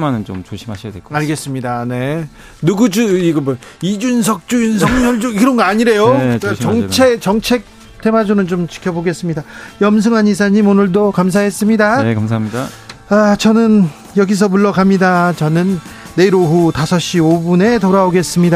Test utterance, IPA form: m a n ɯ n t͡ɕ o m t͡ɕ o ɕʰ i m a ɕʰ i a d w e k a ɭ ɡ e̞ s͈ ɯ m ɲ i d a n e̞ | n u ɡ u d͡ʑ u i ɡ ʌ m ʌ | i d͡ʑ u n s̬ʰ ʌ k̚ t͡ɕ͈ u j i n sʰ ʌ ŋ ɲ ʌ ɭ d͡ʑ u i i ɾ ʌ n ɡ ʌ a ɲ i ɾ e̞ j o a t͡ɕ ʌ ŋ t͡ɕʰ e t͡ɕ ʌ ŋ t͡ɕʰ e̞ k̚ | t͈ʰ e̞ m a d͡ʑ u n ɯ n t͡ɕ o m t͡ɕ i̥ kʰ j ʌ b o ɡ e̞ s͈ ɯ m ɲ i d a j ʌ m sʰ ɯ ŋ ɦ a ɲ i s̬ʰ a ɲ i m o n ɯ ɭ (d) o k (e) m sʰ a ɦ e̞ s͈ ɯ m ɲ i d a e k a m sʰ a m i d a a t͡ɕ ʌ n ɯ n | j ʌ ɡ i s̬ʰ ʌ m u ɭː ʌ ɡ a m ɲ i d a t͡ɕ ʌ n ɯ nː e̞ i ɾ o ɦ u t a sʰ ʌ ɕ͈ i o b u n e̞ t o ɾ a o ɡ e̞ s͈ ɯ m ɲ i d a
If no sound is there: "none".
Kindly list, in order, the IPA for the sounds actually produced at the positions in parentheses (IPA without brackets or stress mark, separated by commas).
d, a